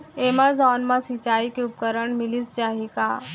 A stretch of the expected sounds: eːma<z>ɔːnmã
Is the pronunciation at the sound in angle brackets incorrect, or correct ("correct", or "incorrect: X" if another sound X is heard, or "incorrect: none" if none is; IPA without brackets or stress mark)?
correct